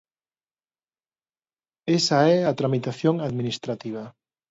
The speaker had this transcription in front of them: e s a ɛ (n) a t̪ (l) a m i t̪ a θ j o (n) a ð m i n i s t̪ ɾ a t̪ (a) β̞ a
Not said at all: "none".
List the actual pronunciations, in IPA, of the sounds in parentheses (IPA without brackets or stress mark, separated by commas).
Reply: none, ɾ, ŋ, i